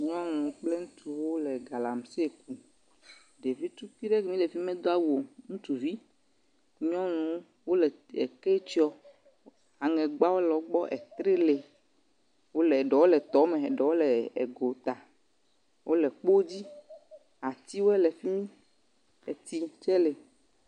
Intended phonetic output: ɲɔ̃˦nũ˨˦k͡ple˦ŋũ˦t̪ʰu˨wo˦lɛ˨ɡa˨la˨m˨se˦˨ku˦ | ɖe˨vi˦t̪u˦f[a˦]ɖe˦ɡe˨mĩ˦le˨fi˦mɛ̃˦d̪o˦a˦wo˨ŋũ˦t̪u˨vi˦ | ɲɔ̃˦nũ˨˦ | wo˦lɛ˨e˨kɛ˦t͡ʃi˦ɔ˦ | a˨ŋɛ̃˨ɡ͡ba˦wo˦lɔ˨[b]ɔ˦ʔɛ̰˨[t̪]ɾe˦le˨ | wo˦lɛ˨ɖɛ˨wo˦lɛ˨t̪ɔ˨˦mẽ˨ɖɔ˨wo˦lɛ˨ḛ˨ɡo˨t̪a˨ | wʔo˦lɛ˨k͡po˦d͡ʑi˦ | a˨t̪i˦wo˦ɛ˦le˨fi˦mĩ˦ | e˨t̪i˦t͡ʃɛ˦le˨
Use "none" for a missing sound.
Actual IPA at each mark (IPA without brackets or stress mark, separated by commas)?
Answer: i˦, ɡ͡b, t̪